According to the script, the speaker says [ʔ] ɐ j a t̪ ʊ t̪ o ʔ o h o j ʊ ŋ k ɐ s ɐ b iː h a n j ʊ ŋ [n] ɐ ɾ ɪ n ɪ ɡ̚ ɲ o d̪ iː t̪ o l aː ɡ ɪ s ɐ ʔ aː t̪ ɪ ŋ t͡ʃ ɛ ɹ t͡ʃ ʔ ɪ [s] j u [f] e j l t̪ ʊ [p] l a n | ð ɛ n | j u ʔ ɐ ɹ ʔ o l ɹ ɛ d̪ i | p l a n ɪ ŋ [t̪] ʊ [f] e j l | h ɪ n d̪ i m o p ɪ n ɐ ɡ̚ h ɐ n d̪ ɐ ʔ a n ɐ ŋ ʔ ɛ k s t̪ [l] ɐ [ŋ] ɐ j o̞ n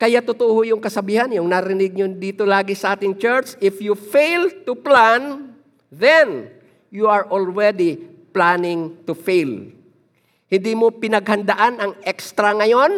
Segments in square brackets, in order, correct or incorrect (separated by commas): incorrect, correct, incorrect, correct, correct, correct, correct, incorrect, correct